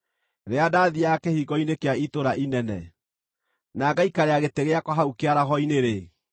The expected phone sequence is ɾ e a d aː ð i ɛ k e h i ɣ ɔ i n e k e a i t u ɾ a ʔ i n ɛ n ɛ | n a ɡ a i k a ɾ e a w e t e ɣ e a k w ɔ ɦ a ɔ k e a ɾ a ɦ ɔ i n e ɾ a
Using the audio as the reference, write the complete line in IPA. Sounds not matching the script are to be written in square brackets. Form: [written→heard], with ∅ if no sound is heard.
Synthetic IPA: ɾ e a d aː ð i [ɛ→a] k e h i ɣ ɔ i n e k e a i t [u→o] ɾ a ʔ i n ɛ n ɛ | n a ɡ a i k a ɾ e a [w→ɣ] e t e ɣ e a k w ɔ ɦ a [ɔ→u] k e a ɾ a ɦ ɔ i n e ɾ [a→e]